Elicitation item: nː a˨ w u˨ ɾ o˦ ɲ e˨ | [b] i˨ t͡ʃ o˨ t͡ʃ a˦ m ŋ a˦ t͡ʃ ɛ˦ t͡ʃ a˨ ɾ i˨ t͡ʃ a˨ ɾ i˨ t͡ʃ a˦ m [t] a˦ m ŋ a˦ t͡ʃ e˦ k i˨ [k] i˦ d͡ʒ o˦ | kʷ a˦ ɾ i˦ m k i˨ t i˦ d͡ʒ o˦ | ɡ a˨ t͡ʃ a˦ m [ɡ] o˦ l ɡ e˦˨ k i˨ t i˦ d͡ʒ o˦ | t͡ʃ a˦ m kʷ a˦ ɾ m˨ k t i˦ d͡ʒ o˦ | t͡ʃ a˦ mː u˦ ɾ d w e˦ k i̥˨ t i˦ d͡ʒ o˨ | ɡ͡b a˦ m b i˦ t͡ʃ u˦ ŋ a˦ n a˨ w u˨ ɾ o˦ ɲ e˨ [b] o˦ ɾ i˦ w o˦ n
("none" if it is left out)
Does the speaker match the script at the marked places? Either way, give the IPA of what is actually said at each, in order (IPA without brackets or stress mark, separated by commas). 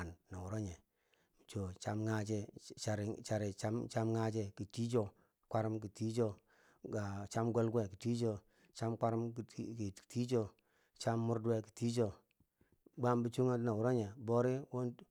m, t͡ʃ, t, ɡ, b